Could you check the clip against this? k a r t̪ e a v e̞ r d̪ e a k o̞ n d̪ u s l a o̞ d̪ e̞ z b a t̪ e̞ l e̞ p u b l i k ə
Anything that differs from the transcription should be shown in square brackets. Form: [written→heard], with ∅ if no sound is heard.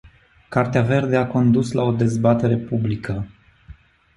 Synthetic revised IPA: k a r t̪ e a v e̞ r d̪ e a k o̞ n d̪ u s l a o̞ d̪ e̞ z b a t̪ e̞ [l→ɾ] e̞ p u b l i k ə